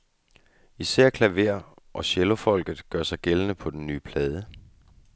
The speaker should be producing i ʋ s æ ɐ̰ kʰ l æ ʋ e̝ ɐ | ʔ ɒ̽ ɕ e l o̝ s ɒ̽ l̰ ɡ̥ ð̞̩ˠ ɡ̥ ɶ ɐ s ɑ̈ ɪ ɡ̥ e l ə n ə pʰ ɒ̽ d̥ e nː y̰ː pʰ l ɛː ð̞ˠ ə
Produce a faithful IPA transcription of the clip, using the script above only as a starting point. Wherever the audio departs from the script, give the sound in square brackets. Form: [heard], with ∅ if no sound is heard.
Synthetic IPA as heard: i [∅] s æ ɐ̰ kʰ l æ ʋ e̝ ɐ | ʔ ɒ̽ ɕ e l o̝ [f] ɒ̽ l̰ ɡ̥ ð̞̩ˠ ɡ̥ ɶ ɐ s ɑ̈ ɪ ɡ̥ e l ə n ə pʰ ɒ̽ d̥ e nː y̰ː pʰ l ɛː ð̞ˠ ə